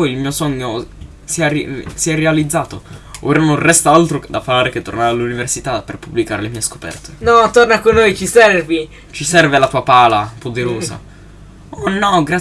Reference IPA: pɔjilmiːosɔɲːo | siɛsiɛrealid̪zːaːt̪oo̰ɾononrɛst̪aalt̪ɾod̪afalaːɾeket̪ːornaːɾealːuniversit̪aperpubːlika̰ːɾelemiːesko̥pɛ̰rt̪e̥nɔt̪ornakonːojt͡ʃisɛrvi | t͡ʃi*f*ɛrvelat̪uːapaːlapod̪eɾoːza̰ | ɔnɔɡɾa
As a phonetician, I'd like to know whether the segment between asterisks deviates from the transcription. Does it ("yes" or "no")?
yes